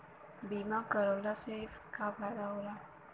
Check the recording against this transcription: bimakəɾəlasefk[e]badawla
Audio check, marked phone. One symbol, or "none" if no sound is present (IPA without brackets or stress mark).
a